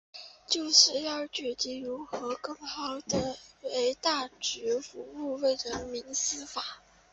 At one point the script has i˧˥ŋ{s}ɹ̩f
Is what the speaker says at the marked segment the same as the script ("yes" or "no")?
yes